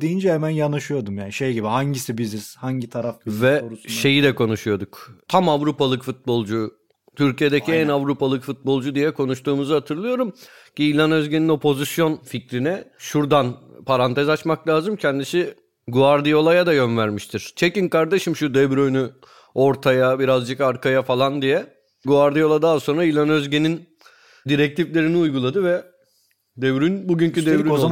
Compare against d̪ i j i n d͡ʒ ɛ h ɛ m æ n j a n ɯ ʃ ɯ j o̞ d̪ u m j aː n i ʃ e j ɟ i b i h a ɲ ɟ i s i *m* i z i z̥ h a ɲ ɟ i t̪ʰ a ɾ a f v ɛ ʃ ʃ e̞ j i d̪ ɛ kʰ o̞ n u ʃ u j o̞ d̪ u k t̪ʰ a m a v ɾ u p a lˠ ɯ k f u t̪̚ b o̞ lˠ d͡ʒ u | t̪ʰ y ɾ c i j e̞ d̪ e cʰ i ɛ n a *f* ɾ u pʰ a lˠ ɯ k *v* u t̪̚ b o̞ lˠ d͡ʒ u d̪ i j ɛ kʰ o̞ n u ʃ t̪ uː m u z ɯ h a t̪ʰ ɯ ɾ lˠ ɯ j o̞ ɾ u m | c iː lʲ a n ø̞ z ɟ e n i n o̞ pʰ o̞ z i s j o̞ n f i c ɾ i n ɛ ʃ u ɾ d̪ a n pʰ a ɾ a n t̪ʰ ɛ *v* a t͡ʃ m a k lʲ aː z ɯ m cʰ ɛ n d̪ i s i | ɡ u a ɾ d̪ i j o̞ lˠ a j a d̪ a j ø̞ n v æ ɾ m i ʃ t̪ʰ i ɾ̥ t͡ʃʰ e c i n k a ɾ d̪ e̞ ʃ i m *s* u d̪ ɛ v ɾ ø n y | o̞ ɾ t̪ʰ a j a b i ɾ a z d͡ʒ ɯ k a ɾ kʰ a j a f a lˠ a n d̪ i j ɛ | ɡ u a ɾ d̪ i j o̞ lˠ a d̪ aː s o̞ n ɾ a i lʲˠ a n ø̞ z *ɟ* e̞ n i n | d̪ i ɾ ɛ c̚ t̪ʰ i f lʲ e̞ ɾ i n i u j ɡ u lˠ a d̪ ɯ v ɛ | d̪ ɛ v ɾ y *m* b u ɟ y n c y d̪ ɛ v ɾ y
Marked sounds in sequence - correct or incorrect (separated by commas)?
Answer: incorrect, incorrect, incorrect, incorrect, incorrect, correct, incorrect